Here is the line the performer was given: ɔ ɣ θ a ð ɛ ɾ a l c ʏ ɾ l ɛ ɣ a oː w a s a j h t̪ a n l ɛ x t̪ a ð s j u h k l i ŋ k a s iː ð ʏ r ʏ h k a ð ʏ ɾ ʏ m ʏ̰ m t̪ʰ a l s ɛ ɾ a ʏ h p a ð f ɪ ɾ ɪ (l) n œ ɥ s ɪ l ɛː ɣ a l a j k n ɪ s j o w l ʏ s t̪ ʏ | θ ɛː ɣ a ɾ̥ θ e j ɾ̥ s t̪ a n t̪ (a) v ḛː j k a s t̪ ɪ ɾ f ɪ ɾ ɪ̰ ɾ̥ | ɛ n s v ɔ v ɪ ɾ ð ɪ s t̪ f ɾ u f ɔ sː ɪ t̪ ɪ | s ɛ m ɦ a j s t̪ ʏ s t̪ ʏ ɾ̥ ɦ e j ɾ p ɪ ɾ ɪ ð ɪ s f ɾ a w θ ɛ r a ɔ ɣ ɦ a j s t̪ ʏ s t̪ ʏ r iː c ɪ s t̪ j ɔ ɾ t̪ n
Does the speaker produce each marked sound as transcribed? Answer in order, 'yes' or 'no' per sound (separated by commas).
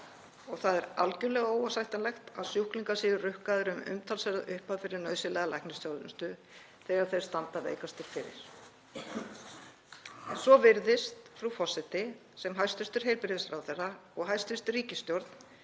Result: no, yes